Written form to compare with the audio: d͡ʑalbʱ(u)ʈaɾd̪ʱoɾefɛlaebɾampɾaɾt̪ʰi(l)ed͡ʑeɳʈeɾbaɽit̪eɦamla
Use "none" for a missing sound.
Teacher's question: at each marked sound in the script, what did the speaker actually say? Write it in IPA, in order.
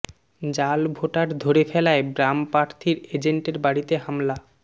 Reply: o, ɾ

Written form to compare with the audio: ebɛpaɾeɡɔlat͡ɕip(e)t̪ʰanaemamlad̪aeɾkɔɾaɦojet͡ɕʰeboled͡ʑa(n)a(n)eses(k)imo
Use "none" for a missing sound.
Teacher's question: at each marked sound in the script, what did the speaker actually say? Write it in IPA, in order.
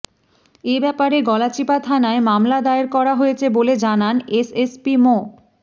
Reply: a, n, n, p

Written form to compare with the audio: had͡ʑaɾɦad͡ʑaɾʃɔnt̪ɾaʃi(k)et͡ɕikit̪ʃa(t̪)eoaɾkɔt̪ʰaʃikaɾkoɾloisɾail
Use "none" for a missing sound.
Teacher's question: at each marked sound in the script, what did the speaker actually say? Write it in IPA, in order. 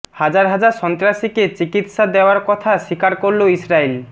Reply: k, d̪

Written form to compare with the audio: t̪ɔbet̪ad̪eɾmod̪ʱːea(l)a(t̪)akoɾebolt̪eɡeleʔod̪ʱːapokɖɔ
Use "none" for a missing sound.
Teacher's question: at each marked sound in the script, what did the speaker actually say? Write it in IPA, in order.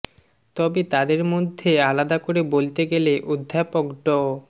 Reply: l, d̪

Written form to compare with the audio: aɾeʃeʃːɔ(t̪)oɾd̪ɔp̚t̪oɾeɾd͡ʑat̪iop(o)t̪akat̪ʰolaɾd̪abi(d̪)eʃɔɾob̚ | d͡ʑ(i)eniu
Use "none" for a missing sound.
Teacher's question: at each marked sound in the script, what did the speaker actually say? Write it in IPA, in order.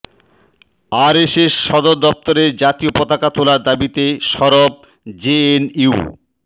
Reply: d̪, ɔ, t̪, e

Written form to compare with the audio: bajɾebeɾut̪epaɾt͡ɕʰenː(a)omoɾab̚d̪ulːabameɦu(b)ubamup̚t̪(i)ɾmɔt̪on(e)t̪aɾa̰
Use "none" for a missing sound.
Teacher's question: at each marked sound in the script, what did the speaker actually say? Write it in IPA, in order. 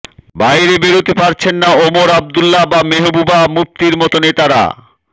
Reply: a, b, i, e

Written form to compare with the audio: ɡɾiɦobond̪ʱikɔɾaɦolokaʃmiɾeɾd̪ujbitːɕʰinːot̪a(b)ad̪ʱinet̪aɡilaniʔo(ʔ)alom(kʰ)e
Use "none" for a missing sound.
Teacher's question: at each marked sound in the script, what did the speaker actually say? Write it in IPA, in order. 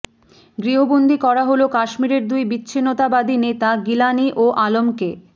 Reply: b, ʔ, k

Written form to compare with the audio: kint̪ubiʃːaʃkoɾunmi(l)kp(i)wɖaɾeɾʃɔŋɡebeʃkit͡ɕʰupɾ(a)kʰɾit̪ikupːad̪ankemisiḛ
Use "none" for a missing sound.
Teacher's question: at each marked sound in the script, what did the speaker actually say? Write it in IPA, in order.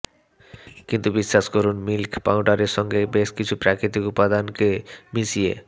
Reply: l, a, a

